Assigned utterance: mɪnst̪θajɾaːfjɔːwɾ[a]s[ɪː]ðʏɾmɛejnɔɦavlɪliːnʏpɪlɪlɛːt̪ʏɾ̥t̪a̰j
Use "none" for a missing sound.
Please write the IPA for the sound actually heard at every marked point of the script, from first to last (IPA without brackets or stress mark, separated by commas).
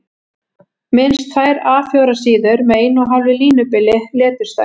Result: a, iː